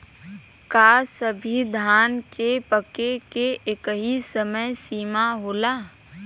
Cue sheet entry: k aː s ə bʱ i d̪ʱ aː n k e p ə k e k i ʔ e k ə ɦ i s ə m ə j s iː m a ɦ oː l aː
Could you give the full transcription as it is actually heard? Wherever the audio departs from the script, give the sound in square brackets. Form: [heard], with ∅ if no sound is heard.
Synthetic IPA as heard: k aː s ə bʱ i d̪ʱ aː n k e p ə k e k [e] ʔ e k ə ɦ i s ə m ə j s iː m a ɦ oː l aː